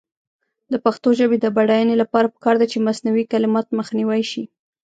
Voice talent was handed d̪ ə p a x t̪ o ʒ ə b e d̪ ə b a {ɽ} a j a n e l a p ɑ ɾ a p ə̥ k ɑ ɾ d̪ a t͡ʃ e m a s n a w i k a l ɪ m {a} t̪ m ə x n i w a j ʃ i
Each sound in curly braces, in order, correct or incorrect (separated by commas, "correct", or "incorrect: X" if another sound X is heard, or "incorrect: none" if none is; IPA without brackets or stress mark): correct, incorrect: ɑ